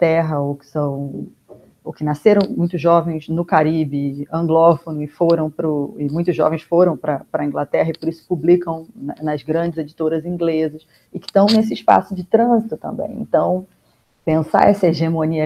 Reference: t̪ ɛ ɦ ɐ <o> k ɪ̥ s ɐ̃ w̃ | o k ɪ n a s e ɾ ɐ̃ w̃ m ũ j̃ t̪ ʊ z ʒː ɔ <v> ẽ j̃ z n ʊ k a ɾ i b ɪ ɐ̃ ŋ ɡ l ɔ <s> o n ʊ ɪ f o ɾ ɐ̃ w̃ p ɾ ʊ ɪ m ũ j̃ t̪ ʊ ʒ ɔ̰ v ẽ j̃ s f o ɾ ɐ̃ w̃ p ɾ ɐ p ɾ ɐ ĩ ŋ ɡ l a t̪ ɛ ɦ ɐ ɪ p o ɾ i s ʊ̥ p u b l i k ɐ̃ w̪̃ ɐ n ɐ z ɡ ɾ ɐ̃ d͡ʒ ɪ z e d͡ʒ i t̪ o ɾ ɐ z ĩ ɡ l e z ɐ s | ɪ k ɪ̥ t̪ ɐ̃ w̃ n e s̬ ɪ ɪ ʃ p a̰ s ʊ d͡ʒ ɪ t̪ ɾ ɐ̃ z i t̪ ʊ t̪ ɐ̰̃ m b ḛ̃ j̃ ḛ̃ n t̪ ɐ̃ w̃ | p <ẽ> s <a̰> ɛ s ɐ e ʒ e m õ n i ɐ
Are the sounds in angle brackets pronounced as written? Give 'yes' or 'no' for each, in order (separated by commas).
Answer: yes, yes, no, yes, yes